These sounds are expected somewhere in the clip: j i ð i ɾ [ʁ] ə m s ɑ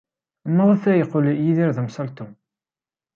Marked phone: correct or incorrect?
incorrect